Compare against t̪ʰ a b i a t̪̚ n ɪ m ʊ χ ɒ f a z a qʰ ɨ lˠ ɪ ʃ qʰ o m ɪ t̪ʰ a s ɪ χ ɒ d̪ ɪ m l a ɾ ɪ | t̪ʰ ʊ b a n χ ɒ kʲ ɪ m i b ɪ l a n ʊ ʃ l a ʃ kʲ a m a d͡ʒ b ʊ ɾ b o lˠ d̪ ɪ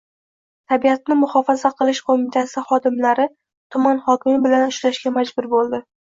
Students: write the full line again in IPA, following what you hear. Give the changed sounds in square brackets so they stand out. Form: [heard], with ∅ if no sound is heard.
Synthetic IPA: t̪ʰ a b i a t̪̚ n ɪ m ʊ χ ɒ f a z a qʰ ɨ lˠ ɪ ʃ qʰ o m ɪ t̪ʰ a s ɪ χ ɒ d̪ ɪ m l a ɾ ɪ | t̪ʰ ʊ [m] a n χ ɒ kʲ ɪ m [ɪ] b ɪ l a n ʊ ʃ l a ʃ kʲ a m a d͡ʒ b ʊ ɾ b o lˠ d̪ ɪ